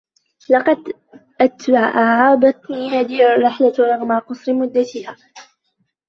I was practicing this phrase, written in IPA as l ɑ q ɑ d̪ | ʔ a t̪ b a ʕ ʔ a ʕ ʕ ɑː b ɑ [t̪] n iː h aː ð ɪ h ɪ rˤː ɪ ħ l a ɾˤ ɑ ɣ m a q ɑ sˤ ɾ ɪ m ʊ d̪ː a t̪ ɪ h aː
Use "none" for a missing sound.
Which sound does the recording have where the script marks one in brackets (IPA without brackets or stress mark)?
t̪